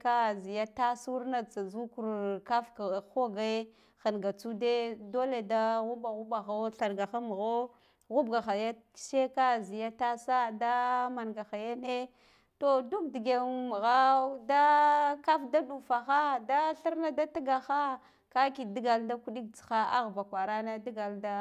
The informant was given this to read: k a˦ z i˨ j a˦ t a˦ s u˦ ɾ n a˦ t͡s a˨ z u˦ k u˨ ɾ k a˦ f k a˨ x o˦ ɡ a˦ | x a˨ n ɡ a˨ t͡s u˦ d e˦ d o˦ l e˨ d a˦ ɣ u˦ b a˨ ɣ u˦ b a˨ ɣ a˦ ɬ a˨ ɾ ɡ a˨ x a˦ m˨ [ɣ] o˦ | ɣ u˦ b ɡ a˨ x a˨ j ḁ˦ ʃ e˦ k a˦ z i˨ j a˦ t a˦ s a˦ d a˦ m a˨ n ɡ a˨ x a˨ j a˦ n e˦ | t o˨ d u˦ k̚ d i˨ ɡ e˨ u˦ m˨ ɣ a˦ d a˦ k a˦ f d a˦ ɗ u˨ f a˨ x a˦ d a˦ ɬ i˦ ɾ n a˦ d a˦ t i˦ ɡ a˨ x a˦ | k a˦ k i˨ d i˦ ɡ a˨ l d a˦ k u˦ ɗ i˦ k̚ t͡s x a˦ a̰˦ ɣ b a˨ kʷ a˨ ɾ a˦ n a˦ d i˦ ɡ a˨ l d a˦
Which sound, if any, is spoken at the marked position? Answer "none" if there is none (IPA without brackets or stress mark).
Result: ɣ